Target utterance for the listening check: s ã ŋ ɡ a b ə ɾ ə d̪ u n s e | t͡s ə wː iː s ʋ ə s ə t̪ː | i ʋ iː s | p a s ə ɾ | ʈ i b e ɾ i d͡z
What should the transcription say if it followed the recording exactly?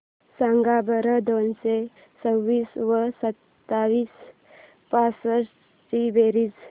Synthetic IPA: s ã ŋ ɡ a b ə ɾ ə d̪ o n s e | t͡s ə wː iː s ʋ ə s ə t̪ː | a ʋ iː s | p a s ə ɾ | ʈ i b e ɾ i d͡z